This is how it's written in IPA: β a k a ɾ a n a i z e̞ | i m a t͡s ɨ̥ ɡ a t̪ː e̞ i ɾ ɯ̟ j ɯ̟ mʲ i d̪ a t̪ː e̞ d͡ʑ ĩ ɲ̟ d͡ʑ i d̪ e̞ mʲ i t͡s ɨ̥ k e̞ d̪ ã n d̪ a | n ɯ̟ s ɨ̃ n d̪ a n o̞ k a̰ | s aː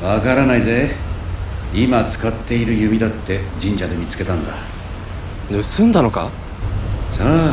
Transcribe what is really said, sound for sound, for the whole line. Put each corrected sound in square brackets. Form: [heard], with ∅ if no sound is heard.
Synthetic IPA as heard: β a k a ɾ a n a i z e̞ | i m a t͡s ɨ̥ [k] a t̪ː e̞ i ɾ ɯ̟ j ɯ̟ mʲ i d̪ a t̪ː e̞ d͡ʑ ĩ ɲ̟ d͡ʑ [a] d̪ e̞ mʲ i t͡s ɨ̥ k e̞ [t̪] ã n d̪ a | n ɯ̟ s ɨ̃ n d̪ a n o̞ k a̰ | s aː

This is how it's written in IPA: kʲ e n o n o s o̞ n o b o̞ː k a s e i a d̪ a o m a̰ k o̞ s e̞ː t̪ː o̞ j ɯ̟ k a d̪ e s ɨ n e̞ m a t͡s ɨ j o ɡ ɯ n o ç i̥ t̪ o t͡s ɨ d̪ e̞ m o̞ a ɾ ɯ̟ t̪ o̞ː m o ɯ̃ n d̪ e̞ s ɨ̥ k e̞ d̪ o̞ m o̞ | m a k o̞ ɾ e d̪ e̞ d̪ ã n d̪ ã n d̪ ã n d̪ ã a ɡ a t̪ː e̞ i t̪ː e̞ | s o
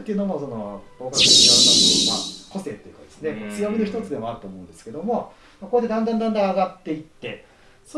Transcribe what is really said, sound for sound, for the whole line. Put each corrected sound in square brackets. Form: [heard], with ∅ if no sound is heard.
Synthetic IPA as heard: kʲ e n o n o s o̞ n o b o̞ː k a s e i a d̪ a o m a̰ k o̞ s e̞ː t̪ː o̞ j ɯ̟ k a d̪ e s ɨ n e̞ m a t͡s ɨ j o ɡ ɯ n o ç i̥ t̪ o t͡s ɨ d̪ e̞ m o̞ a ɾ ɯ̟ t̪ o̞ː m o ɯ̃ n d̪ e̞ s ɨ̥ k e̞ d̪ o̞ m o̞ | m a k o̞ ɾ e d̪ e̞ d̪ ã n d̪ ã n d̪ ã n d̪ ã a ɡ a t̪ː e̞ i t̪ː e̞ | s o

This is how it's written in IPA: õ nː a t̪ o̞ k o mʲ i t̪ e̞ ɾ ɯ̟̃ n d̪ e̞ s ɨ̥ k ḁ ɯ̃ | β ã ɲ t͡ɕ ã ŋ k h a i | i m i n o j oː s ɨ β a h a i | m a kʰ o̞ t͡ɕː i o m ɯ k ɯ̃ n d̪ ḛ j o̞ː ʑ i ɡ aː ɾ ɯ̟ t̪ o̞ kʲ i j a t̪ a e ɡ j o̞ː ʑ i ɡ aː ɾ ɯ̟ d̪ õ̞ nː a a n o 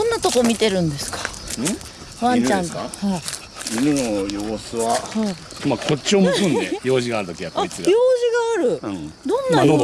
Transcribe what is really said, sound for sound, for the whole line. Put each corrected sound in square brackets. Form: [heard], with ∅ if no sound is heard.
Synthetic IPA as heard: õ nː a t̪ o̞ k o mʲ i t̪ e̞ ɾ ɯ̟̃ n d̪ e̞ s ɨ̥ k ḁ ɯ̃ | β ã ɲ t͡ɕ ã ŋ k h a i | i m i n o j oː s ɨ β a h a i | m a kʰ o̞ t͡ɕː i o m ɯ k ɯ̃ n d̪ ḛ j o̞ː ʑ i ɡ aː ɾ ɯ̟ t̪ o̞ kʲ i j a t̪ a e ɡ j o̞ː ʑ i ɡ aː ɾ ɯ̟ d̪ õ̞ nː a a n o

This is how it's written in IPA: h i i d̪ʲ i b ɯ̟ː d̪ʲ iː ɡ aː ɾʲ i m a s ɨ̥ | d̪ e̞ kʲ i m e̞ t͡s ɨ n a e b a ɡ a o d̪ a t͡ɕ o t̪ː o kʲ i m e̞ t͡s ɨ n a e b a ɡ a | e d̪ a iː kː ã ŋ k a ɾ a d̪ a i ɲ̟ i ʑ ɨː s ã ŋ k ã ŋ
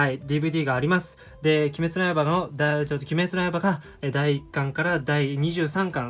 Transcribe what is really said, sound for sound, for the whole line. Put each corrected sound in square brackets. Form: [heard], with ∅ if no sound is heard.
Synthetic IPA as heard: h [a] i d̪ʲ i b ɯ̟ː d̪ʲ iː ɡ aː ɾʲ i m a s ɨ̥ | d̪ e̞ kʲ i m e̞ t͡s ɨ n a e b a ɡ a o d̪ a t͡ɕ o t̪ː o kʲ i m e̞ t͡s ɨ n a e b a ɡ a | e d̪ a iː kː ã ŋ k a ɾ a d̪ a i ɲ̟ i ʑ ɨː s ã ŋ k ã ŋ

